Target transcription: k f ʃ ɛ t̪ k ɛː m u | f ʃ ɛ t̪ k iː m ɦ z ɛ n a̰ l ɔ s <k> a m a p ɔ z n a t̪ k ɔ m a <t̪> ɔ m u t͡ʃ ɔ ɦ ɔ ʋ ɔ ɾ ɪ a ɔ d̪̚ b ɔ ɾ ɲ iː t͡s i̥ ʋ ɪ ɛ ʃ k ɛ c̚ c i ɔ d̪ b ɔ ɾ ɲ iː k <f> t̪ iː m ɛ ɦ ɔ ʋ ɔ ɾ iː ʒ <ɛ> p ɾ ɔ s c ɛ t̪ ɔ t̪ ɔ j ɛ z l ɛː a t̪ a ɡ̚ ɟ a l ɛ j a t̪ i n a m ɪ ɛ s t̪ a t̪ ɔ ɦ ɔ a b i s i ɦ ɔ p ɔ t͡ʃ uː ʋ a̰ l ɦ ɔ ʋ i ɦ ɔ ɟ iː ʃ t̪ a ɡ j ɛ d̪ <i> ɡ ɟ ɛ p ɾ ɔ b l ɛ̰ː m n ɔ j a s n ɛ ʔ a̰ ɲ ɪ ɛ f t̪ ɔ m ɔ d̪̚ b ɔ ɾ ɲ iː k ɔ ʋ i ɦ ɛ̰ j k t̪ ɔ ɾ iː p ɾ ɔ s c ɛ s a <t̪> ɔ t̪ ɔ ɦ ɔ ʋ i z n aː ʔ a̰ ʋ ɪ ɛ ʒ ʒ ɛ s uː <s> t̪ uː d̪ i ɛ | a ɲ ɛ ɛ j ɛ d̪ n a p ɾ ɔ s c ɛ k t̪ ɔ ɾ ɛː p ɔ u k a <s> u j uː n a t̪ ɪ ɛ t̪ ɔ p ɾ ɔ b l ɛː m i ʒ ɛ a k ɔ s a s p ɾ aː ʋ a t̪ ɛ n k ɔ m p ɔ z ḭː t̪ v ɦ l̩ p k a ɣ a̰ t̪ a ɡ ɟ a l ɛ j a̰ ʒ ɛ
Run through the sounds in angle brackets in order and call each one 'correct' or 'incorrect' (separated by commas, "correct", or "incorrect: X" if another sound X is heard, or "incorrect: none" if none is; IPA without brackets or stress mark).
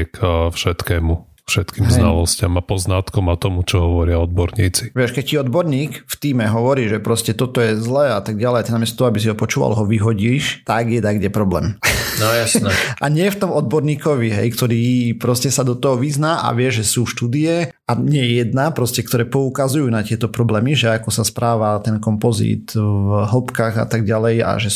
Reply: incorrect: c, correct, correct, correct, incorrect: a, incorrect: d̪, incorrect: ʃ, incorrect: z